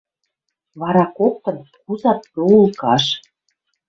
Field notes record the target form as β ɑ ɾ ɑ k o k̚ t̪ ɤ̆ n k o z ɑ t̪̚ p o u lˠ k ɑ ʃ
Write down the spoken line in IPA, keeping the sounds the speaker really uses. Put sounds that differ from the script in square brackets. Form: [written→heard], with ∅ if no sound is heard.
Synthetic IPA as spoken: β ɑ ɾ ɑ k o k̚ t̪ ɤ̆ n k [o→u] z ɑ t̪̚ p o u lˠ k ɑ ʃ